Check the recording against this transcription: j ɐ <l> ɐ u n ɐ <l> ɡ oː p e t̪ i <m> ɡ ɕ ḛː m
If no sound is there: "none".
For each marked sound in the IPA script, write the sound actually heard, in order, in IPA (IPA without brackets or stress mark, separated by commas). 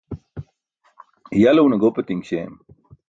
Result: l, none, ŋ